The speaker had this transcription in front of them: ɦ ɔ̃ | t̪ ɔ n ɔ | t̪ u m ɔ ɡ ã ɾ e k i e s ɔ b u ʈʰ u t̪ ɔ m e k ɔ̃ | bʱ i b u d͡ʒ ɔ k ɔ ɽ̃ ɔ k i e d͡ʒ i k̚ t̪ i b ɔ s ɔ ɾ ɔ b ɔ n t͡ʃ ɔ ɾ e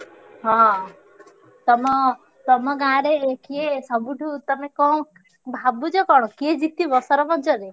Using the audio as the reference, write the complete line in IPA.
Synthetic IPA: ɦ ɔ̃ | t̪ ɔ m ɔ | t̪ ɔ m ɔ ɡ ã ɾ e k i e s ɔ b u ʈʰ u t̪ ɔ m e k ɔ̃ | bʱ a b u d͡ʒ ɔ k ɔ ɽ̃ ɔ k i e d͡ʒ i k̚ t̪ i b ɔ s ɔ ɾ ɔ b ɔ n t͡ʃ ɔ ɾ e